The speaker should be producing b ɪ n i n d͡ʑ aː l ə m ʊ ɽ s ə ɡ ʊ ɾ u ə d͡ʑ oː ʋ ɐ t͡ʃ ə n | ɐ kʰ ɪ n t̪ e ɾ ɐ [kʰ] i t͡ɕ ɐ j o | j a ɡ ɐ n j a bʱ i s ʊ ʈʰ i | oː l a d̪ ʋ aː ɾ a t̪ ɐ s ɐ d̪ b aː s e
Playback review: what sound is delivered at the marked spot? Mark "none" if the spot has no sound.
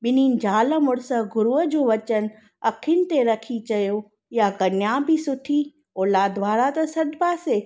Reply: kʰ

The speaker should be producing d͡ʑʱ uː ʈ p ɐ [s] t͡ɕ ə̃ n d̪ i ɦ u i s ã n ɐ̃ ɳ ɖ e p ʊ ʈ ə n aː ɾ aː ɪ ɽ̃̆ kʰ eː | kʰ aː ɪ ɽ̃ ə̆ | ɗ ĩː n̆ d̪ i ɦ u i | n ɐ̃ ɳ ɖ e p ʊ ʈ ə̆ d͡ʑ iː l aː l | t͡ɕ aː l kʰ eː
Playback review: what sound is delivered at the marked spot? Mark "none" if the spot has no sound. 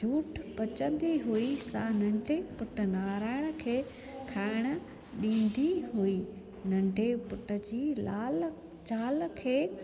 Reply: none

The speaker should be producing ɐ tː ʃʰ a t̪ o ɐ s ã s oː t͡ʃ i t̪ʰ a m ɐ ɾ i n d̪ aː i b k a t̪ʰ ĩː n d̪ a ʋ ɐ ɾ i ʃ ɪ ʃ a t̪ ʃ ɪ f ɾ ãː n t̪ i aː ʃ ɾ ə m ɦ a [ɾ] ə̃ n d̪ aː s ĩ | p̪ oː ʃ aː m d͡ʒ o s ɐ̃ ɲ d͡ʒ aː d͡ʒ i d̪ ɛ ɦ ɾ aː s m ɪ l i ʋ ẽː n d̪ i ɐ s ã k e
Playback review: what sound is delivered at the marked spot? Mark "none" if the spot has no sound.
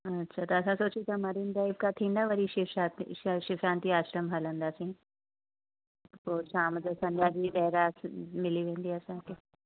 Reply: l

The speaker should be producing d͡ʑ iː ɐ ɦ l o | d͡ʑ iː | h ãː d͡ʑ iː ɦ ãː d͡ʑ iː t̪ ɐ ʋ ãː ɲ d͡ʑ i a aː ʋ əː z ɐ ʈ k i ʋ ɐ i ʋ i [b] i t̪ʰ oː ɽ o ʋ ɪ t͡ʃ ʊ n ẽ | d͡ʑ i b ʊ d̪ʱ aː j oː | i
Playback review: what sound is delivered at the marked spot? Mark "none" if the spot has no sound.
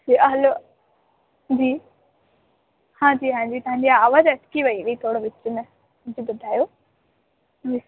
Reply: none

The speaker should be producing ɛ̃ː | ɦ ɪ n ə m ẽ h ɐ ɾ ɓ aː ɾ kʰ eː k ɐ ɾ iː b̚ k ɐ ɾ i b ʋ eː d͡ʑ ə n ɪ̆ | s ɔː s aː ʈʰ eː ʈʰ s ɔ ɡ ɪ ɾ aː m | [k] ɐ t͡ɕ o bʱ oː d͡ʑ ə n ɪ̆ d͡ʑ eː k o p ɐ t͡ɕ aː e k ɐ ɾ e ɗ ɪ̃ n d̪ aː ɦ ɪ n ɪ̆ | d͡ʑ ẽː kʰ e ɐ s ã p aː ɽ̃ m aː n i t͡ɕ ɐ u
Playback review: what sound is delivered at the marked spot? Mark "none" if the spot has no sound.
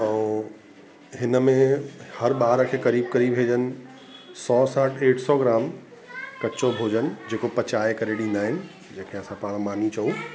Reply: k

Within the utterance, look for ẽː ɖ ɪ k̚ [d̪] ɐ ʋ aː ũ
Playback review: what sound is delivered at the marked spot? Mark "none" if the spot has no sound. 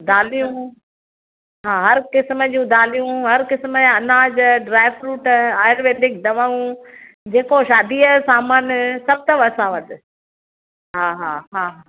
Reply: d̪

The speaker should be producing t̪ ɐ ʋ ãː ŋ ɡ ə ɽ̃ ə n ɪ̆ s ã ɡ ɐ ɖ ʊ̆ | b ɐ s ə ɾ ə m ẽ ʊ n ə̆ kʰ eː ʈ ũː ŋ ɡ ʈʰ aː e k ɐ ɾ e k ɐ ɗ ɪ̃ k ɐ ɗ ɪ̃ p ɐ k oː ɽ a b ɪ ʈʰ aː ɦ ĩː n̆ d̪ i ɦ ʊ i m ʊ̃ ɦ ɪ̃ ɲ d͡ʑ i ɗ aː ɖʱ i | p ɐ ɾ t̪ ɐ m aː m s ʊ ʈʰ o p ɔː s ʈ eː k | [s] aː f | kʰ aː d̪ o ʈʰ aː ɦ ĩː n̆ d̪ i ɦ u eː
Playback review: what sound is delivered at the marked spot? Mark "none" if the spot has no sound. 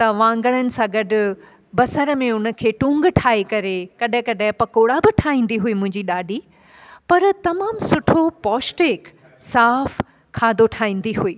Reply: s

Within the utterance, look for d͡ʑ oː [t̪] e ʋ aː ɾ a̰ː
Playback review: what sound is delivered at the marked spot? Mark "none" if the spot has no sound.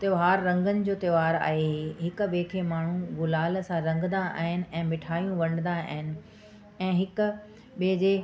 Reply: t̪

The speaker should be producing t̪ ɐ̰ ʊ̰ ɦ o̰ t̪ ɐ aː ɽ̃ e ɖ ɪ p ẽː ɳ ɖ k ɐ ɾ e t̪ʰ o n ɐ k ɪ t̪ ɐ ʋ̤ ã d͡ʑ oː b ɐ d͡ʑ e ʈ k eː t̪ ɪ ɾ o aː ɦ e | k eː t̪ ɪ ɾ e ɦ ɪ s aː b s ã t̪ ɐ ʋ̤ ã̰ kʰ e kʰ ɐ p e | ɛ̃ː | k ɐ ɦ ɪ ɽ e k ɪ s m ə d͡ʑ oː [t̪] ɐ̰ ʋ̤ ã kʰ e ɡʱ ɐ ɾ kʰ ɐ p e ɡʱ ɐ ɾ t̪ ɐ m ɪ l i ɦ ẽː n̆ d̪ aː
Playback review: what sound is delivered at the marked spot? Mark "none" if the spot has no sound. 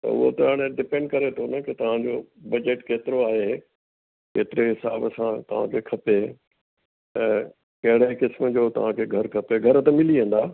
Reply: t̪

